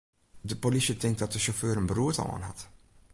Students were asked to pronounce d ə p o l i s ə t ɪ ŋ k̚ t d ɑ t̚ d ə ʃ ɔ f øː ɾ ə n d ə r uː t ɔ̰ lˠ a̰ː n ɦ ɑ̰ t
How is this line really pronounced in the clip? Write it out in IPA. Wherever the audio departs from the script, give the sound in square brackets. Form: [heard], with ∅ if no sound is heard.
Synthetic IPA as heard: d ə p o l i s ə t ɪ ŋ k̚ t d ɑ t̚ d ə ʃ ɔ f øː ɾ ə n [b] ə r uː t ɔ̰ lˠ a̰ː n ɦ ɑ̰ t